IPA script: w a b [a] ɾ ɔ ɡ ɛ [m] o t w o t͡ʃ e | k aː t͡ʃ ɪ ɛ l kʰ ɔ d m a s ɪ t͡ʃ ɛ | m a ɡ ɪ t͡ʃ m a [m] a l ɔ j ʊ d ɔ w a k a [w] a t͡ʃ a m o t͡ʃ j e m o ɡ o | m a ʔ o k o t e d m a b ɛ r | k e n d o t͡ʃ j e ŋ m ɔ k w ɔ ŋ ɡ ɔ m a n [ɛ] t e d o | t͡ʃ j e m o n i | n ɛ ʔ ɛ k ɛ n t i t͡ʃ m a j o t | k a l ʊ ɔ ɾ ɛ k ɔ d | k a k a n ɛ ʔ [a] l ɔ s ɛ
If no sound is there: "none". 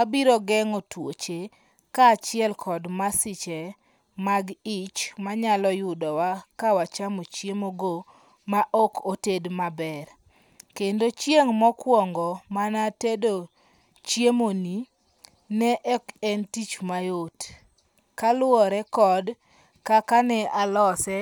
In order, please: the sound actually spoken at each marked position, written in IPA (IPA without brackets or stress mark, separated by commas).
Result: i, ŋ, ɲ, w, a, a